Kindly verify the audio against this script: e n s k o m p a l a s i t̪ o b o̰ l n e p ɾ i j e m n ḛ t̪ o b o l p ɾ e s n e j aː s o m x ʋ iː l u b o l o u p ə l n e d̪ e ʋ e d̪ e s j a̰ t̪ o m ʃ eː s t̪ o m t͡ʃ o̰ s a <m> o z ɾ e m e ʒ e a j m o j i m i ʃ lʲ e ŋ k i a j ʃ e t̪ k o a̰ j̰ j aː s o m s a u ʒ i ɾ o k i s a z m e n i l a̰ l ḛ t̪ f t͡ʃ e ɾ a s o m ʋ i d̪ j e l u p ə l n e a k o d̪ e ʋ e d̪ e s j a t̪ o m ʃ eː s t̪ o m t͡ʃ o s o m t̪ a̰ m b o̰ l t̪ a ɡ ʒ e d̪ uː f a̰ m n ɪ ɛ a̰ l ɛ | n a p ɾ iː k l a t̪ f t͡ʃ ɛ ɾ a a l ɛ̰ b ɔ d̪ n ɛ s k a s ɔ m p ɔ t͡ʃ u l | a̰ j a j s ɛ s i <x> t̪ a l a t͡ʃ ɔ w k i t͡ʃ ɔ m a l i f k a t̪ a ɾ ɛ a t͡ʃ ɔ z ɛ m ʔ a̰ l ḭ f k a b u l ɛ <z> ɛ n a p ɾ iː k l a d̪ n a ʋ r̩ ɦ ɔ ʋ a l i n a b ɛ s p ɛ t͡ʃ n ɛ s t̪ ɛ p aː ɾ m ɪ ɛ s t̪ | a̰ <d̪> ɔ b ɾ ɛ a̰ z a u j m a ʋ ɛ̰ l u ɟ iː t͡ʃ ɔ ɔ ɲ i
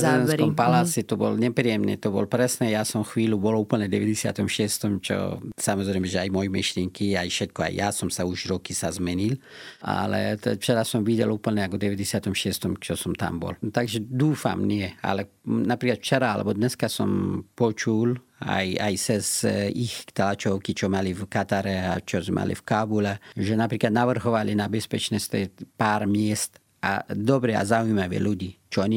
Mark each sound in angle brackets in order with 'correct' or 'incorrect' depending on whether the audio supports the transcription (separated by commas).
correct, correct, incorrect, correct